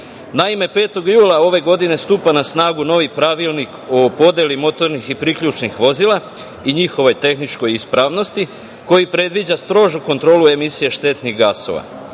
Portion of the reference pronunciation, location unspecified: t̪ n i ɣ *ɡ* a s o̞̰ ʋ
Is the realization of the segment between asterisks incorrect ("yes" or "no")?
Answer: no